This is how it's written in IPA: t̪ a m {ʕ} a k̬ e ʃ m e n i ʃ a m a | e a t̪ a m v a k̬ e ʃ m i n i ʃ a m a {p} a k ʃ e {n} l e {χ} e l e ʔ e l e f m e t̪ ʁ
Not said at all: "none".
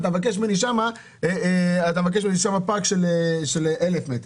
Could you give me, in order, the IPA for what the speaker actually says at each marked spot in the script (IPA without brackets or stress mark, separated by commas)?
v, p, none, ʃ